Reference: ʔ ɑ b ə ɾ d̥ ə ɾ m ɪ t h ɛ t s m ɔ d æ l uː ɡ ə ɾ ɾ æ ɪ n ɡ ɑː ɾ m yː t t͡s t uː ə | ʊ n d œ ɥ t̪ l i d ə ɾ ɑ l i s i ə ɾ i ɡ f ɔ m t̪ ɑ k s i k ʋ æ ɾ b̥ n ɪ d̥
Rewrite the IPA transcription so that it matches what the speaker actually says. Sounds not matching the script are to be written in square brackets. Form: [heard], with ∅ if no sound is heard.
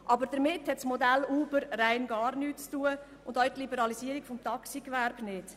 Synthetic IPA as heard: ʔ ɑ b ə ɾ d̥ ə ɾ m ɪ t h ɛ t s m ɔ d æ l uː [b] ə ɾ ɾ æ ɪ n ɡ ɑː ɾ [n] yː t t͡s t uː ə | ʊ n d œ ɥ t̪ l i [b] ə ɾ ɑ l i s i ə ɾ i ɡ f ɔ m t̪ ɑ k s i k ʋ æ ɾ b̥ n ɪ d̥